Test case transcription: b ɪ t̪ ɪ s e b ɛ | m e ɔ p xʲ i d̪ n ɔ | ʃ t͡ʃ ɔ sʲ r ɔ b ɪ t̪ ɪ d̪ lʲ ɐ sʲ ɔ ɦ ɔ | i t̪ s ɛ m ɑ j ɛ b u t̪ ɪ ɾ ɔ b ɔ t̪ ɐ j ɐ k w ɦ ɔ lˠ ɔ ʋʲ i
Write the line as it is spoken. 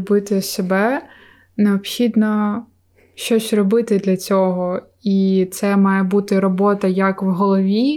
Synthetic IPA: b ɪ t̪ ɪ s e b ɛ | n e ɔ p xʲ i d̪ n ɔ | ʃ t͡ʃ ɔ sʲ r ɔ b ɪ t̪ ɪ d̪ lʲ ɐ t͡sʲ ɔ ɦ ɔ | i t̪ s ɛ m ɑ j ɛ b u t̪ ɪ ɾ ɔ b ɔ t̪ ɐ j ɐ k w ɦ ɔ lˠ ɔ ʋʲ i